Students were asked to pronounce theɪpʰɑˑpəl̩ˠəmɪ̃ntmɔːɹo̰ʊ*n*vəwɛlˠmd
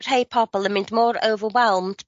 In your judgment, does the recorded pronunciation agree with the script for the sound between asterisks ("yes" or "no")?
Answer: no